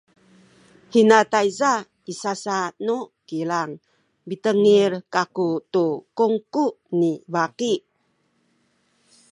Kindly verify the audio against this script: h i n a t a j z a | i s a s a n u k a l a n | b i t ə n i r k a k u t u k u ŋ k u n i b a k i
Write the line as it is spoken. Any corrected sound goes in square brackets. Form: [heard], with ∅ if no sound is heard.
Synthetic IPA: h i n a t a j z a | i s a s a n u k [i] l a [ŋ] | b i t ə [ŋ] i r k a k u t u k u ŋ k u n i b a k i